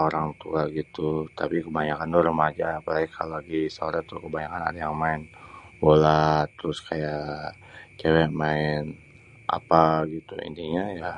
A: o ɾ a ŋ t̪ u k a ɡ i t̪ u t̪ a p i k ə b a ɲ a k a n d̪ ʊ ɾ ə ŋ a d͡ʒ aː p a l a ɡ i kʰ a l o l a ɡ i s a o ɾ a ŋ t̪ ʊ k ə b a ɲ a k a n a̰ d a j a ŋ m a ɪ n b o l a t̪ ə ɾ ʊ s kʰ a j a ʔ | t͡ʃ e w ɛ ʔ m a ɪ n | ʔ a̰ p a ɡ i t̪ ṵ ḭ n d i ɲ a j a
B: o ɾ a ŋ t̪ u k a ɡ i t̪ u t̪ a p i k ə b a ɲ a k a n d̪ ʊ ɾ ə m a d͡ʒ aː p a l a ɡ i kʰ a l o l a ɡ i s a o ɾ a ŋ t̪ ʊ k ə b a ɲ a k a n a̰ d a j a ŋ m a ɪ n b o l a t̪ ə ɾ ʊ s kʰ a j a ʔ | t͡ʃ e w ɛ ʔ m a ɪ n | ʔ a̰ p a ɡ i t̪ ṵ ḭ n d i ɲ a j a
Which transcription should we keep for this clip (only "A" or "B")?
B